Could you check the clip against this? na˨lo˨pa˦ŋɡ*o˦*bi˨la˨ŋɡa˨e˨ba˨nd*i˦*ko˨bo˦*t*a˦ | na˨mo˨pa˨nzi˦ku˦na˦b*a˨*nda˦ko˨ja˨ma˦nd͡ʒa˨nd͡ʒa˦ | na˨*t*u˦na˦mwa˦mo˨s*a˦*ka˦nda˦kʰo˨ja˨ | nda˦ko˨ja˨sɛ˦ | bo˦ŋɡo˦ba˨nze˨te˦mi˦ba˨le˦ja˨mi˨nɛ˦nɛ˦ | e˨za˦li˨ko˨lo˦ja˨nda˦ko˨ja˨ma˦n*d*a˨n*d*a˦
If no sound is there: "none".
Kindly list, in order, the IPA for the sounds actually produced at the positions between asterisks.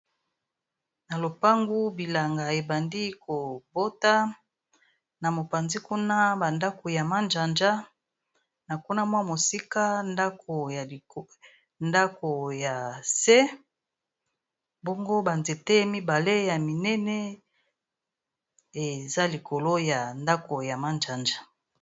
u˦, i˦, t, a˨, k, i˦, d͡ʒ, d͡ʒ

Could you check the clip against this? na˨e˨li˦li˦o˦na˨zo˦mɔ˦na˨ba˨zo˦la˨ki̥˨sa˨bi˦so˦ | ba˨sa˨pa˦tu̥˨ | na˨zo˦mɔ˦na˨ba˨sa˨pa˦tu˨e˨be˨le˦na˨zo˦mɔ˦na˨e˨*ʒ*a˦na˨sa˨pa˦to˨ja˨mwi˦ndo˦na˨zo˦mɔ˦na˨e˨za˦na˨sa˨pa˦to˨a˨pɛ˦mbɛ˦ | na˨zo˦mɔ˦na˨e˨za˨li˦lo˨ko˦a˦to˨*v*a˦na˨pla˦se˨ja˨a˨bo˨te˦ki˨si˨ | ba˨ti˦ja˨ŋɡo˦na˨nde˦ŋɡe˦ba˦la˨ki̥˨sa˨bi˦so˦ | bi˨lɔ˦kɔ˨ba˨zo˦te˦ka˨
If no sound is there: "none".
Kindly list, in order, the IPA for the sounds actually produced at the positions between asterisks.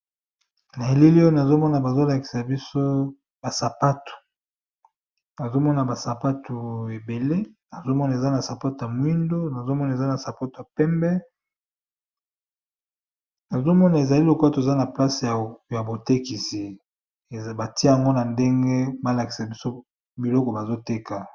z, z

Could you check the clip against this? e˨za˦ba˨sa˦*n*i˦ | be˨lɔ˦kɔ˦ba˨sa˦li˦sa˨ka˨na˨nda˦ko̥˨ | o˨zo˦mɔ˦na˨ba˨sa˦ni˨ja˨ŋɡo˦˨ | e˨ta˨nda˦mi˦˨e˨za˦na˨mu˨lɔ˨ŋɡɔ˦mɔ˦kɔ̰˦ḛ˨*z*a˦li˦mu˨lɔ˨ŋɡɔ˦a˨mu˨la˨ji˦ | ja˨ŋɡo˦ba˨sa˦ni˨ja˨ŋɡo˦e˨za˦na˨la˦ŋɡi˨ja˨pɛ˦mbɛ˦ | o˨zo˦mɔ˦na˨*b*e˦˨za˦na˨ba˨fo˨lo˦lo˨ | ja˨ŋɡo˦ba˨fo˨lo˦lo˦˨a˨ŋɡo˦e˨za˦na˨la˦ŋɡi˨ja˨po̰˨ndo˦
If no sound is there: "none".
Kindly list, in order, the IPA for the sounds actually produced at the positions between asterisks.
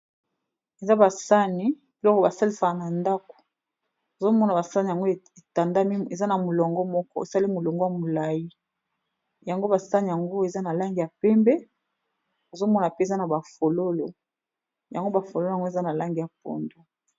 n, s, p

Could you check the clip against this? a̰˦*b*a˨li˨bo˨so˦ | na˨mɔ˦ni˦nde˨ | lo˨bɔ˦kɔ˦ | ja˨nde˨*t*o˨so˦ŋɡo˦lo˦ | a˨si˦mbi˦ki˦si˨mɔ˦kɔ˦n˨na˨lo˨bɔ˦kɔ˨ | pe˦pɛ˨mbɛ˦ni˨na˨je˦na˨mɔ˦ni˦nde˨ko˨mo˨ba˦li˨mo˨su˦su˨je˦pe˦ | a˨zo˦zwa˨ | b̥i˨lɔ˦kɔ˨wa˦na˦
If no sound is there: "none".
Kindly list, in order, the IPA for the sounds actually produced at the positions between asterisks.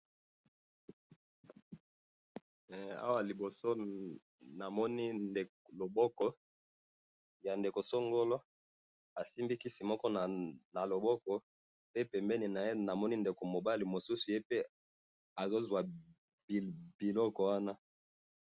w, k

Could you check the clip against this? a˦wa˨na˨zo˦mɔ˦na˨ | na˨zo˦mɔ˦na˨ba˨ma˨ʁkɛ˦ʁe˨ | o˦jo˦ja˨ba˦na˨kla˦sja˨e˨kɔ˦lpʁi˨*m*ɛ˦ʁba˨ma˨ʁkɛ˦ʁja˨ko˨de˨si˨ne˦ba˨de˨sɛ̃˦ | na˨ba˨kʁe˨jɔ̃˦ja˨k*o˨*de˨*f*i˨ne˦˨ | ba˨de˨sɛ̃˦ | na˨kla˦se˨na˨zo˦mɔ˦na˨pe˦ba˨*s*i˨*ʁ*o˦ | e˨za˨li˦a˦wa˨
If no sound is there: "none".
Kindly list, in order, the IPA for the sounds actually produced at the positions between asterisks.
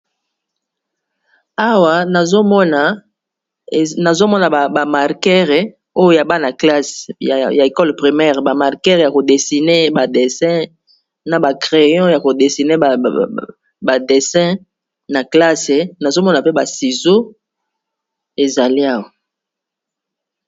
m, o˨, s, s, z

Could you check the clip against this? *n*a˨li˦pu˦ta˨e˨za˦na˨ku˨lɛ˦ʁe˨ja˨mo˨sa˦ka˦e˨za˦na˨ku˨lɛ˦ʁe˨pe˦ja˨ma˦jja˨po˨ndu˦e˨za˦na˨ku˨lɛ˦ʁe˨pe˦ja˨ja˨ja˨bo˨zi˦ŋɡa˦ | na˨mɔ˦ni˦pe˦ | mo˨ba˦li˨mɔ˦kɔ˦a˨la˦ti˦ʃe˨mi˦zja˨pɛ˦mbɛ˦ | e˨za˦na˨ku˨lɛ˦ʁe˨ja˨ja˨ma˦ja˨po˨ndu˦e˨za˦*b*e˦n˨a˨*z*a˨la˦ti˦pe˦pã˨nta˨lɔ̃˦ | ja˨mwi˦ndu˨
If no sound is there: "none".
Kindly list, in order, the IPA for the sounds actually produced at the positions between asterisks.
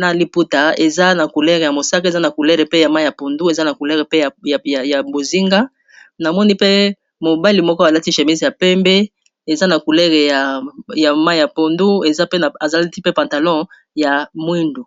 n, p, z

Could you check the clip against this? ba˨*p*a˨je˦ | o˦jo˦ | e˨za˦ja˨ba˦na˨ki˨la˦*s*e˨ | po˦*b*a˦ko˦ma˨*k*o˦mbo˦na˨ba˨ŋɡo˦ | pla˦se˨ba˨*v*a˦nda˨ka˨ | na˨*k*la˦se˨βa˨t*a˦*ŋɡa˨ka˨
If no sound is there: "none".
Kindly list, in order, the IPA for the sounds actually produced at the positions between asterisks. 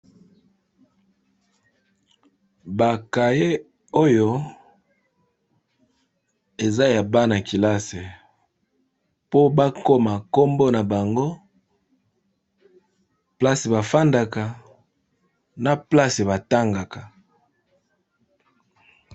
k, s, b, k, f, p, a˦

